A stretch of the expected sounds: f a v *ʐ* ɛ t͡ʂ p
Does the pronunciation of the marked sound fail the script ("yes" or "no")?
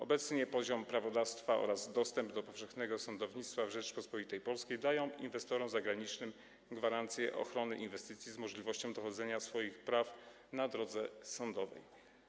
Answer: no